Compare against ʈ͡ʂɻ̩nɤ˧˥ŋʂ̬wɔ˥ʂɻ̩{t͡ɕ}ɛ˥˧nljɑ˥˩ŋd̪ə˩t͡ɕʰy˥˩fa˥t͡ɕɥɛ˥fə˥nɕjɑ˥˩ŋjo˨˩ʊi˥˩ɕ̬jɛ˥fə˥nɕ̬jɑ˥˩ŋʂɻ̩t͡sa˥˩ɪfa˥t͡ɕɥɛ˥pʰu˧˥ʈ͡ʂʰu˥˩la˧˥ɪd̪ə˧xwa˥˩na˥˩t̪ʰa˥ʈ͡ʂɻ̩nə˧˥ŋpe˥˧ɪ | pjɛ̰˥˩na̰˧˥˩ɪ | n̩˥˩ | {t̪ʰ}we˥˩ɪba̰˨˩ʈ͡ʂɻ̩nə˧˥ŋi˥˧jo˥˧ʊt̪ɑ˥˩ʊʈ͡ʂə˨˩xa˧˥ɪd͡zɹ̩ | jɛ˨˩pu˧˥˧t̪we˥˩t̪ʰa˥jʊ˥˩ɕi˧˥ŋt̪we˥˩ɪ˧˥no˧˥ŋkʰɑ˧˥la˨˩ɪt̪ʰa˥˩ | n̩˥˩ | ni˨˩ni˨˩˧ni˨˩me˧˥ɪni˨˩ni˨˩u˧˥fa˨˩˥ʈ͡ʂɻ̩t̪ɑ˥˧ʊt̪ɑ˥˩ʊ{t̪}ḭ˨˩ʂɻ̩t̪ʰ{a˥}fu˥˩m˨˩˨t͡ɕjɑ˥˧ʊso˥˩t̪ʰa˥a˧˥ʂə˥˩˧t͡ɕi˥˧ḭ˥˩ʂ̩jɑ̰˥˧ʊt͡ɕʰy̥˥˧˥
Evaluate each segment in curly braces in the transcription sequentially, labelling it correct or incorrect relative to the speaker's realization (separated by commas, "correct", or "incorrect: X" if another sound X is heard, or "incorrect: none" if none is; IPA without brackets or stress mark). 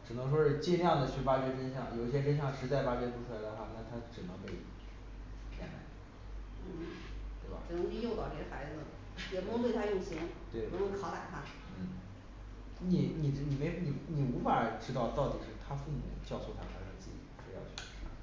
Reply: correct, incorrect: t̪, correct, correct